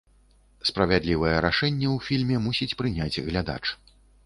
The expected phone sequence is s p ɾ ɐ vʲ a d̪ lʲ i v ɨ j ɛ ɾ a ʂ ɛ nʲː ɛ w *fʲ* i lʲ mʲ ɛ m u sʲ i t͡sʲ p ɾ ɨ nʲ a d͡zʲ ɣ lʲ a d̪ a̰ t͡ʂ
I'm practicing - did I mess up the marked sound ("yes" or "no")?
no